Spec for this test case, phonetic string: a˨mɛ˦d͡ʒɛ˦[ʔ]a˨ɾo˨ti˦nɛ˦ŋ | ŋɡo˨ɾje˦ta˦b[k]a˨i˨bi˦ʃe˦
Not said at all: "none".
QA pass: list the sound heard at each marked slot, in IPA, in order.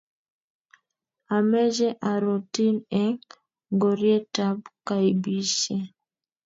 ʔ, k

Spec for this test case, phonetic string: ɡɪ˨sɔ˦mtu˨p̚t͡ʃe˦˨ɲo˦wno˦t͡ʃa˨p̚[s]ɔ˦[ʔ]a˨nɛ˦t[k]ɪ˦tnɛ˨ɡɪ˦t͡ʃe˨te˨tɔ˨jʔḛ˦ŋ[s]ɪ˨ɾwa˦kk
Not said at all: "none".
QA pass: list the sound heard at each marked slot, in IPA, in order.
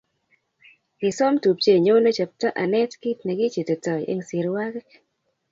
t, ʔ, k, s

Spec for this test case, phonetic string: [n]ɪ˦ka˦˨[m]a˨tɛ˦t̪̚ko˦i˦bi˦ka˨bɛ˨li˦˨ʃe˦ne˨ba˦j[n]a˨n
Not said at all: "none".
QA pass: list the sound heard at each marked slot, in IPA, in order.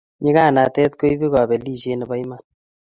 ɲ, n, m

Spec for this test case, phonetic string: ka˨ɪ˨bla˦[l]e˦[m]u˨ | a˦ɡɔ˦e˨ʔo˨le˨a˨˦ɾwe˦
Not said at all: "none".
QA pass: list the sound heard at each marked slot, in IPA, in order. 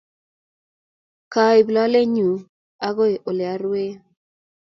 l, ɲ

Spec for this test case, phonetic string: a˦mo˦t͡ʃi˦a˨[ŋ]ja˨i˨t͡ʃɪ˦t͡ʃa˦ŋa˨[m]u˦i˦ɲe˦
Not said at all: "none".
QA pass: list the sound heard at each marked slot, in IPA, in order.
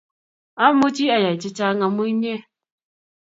none, m

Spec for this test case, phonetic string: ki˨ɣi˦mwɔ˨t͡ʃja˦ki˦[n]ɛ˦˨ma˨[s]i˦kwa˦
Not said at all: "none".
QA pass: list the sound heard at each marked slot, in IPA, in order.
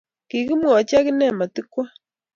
n, t

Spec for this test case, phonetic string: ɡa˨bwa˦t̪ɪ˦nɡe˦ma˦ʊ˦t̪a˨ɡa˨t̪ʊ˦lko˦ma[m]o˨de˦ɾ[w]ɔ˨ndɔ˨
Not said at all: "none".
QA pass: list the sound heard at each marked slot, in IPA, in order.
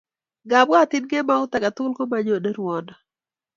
ɲ, w

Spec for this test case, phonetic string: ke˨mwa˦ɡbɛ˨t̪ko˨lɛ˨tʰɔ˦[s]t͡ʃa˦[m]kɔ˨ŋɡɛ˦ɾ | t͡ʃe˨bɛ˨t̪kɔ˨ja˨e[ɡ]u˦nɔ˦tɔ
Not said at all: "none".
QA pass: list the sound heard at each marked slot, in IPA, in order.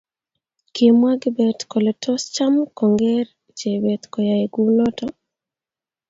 s, m, ɡ

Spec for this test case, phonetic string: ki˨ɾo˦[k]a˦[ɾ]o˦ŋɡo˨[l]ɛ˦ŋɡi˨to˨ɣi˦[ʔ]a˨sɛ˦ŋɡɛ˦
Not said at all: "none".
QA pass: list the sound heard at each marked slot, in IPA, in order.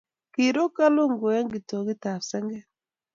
k, l, none, t

